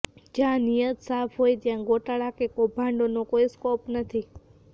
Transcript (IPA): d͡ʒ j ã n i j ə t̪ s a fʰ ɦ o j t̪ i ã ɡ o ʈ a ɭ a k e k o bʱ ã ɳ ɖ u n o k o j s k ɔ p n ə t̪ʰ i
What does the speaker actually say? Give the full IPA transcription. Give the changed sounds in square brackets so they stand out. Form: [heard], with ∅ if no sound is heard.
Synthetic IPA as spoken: d͡ʒ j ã n i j ə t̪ s a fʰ ɦ o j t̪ [j] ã ɡ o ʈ a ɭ a k e k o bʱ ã ɳ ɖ [o] n o k o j s k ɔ p n ə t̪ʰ i